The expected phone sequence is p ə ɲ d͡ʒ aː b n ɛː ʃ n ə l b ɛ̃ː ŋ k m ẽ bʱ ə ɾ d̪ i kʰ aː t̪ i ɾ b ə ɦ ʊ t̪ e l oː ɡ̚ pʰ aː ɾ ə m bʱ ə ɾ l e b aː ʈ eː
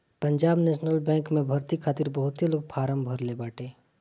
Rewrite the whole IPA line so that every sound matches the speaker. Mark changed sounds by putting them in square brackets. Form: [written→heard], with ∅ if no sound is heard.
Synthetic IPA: p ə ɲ d͡ʒ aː b n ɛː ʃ n ə l b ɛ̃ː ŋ k m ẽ bʱ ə ɾ [d̪→t̪] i kʰ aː t̪ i ɾ b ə ɦ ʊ t̪ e l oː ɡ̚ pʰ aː ɾ ə m bʱ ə ɾ l e b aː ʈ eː